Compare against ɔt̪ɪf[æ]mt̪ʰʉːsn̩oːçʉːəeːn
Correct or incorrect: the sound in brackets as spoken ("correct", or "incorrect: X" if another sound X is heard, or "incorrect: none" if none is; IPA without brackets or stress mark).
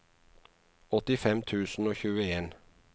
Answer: incorrect: ɛ